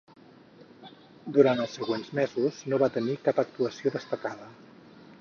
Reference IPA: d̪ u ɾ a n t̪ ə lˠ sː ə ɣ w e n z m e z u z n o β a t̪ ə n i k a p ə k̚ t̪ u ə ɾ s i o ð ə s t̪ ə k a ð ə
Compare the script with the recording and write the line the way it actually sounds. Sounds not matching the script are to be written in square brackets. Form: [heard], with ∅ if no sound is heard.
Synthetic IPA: d̪ u ɾ a n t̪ ə lˠ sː ə ɣ w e n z m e z u z n o β a t̪ ə n i k a p ə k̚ t̪ u ə [∅] s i o ð ə s t̪ ə k a ð ə